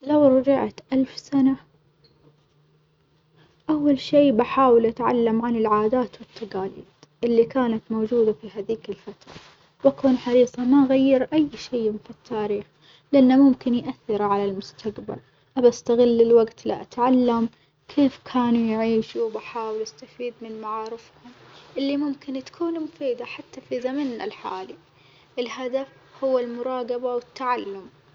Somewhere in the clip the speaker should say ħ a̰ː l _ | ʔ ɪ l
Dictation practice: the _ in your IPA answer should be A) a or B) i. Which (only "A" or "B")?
B